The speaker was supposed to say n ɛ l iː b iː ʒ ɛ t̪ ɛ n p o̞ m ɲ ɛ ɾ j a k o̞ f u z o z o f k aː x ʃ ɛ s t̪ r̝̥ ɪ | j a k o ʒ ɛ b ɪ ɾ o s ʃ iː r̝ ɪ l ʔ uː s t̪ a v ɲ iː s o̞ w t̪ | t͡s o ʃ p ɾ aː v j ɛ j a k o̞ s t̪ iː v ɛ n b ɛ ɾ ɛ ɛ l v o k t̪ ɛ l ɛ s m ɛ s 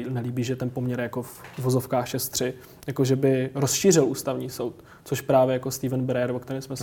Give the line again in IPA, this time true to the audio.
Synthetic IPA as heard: n ɛ l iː b iː ʒ ɛ t̪ ɛ n p o̞ m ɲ ɛ ɾ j a k o̞ f u v o z o f k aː x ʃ ɛ s t̪ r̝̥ ɪ | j a k o ʒ ɛ b ɪ ɾ o s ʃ iː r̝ ɪ l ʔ uː s t̪ a v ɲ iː s o̞ w t̪ | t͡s o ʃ p ɾ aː v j ɛ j a k o̞ s t̪ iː v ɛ n b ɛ ɾ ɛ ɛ ɾ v o k t̪ ɛ ɾ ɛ s m ɛ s